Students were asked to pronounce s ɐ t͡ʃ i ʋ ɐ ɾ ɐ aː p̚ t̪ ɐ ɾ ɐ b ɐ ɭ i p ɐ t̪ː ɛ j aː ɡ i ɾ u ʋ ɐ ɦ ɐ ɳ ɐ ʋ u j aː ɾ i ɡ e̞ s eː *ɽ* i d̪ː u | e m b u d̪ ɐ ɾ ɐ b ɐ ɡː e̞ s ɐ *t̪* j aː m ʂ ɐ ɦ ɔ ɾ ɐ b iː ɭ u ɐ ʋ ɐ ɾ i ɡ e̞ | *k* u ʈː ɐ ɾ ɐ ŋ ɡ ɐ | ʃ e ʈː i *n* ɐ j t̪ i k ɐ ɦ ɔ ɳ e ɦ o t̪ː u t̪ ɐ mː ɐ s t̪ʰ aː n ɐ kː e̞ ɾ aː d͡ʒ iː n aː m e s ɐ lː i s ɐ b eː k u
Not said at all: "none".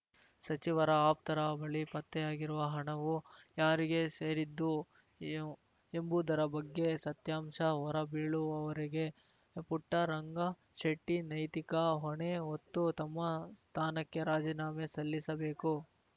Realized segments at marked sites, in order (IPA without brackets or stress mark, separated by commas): ɾ, t̪, p, n